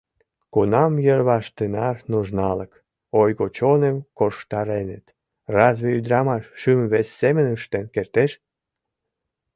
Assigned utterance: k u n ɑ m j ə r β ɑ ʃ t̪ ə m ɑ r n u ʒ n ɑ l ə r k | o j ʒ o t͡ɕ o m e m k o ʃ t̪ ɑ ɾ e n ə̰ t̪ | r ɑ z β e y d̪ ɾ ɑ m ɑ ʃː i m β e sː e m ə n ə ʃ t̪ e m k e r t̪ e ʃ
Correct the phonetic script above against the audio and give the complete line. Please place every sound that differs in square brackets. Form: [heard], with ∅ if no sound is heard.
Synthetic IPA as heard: k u n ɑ m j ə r β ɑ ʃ t̪ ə [n] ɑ r n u ʒ n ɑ l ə [∅] k | o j [ɣ] o t͡ɕ o [n] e m k o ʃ t̪ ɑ ɾ e n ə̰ t̪ | r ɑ z β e y d̪ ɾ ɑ m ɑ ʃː [y] m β e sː e m ə n ə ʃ t̪ e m k e r t̪ e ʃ